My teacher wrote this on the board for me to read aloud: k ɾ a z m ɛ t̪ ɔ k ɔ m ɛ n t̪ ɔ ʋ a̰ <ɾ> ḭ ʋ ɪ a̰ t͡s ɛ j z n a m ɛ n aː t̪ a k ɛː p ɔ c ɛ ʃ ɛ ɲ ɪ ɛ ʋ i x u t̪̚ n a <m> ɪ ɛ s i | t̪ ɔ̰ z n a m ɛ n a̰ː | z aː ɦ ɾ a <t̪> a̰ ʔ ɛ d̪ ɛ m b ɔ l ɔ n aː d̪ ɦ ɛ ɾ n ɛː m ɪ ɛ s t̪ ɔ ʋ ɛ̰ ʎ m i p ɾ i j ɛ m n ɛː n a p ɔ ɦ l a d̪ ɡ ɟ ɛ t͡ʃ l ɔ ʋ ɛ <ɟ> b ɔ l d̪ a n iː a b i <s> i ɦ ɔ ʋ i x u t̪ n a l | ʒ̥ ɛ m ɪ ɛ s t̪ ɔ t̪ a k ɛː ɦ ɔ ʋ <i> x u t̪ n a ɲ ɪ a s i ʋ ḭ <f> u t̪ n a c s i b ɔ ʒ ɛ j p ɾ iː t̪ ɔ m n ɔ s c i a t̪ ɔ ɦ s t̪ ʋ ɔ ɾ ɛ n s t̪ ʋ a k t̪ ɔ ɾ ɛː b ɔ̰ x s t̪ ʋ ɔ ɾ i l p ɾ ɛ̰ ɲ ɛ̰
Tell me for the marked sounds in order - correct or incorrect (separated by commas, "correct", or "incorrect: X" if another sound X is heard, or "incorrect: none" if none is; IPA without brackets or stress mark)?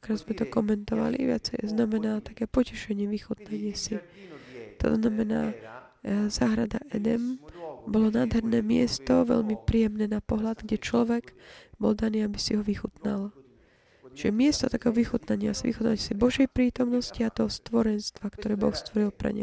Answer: incorrect: l, incorrect: ɲ, incorrect: d̪, incorrect: ɡ, correct, correct, incorrect: x